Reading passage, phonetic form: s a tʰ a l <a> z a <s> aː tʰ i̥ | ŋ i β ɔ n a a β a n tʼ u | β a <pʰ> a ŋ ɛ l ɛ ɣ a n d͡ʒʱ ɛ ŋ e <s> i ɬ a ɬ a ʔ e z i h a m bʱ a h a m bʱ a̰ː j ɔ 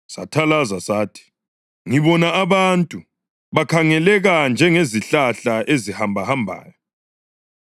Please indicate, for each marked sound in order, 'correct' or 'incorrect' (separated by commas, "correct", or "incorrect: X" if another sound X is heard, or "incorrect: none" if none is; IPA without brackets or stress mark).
correct, correct, incorrect: kʰ, incorrect: z